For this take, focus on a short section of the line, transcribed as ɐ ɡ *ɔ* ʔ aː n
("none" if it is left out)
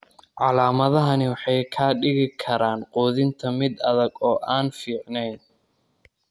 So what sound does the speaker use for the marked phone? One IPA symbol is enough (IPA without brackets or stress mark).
ɔː